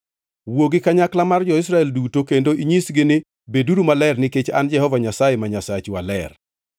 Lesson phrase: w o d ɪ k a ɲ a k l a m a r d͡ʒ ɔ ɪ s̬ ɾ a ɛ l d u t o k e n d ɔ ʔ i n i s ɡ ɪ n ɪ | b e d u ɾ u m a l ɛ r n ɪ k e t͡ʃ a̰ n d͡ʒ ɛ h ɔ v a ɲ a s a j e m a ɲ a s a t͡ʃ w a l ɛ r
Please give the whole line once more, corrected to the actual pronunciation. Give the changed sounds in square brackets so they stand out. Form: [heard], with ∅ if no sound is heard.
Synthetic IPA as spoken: w o [ɡ] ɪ k a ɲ a k l a m a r d͡ʒ ɔ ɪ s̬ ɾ a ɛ l d u t o k e n d [o] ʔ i [ɲ] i s ɡ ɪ n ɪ | b e d u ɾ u m a l ɛ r n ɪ k e t͡ʃ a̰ n d͡ʒ ɛ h ɔ v a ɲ a s a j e m a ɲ a s a t͡ʃ w a l ɛ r